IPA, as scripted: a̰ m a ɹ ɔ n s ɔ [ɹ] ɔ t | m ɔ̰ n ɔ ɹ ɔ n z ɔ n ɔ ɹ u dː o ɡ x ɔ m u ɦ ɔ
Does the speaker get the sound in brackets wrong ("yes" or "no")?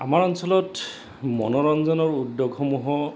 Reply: yes